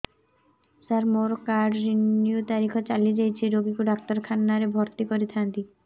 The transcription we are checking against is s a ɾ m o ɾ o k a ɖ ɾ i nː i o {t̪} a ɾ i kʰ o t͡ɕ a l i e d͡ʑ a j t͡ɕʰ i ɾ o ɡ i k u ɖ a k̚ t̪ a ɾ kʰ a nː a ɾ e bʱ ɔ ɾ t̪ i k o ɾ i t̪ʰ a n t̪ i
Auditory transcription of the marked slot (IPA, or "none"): t̪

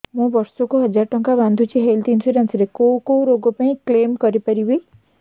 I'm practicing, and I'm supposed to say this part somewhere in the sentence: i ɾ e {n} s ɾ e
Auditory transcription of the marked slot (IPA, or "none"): n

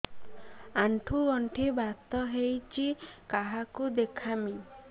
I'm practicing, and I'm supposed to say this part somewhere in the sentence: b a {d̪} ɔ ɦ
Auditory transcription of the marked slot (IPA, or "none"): t̪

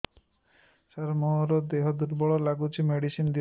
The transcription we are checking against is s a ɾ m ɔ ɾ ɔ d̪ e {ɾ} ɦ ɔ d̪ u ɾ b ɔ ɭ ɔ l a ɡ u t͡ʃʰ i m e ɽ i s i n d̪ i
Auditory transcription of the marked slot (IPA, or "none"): none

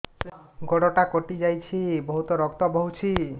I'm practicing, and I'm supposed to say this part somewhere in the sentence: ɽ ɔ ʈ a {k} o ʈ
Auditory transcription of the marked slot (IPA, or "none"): k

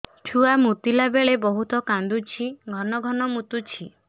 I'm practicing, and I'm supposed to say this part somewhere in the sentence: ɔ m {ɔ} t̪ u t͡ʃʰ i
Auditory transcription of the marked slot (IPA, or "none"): u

